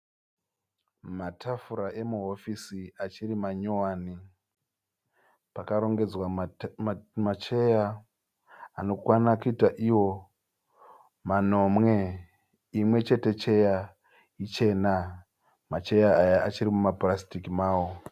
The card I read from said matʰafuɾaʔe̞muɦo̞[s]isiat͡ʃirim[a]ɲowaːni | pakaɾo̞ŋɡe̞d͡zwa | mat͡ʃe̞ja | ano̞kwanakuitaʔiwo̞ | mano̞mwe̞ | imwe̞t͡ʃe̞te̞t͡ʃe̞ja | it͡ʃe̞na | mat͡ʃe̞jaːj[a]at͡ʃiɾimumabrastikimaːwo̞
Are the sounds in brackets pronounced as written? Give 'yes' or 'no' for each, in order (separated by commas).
no, yes, yes